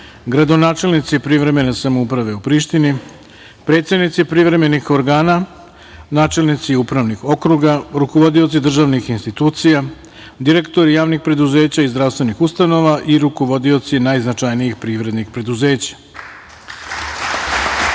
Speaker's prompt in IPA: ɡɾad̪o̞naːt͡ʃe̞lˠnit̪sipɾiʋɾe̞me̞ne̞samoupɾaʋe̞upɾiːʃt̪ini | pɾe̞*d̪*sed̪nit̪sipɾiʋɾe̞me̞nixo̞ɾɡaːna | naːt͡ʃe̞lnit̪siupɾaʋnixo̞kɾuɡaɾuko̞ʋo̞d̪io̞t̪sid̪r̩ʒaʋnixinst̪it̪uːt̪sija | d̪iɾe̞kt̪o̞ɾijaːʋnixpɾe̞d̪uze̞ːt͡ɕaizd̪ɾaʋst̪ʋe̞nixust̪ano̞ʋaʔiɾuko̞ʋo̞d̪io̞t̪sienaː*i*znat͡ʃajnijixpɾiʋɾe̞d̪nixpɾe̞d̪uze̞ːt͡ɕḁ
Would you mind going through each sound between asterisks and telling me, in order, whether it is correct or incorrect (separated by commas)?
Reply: incorrect, incorrect